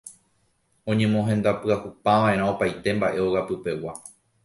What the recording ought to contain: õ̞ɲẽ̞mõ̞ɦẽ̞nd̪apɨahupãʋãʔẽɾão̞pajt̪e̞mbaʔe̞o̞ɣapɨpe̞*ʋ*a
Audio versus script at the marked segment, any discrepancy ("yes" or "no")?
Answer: yes